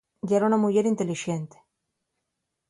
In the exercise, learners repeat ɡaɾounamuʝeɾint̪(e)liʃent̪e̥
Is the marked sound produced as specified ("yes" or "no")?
yes